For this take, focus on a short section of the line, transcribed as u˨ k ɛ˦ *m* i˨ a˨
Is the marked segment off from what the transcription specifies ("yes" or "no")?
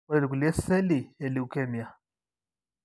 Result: no